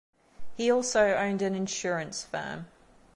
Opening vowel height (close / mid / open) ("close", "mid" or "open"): close